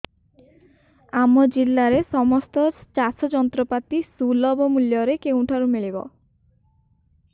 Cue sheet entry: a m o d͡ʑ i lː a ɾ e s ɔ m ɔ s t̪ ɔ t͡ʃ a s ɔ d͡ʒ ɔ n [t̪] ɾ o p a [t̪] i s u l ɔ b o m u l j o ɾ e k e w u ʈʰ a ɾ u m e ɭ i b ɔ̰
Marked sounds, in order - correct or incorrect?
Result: correct, correct

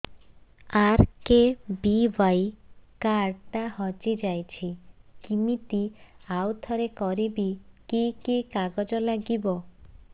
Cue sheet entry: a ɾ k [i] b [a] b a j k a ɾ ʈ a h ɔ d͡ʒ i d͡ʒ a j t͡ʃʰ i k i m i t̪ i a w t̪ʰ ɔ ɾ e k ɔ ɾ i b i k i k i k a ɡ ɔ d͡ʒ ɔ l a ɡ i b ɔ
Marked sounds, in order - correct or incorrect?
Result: incorrect: e, incorrect: i

